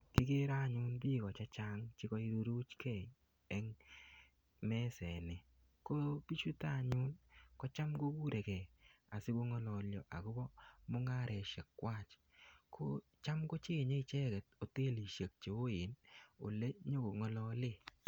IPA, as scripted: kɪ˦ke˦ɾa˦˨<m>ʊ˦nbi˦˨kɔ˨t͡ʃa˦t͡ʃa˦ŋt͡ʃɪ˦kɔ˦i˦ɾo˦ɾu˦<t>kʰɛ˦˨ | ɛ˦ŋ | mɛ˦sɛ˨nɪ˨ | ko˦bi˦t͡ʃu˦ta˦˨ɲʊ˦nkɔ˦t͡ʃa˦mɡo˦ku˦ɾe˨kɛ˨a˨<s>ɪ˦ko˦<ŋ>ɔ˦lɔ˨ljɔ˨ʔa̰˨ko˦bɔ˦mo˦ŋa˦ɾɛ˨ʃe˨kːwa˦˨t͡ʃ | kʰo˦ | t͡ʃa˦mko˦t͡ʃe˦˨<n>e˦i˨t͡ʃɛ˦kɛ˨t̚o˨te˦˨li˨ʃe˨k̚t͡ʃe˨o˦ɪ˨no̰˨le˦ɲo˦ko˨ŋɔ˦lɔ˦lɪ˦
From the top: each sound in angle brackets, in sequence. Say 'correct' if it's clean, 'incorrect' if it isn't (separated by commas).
incorrect, incorrect, correct, correct, incorrect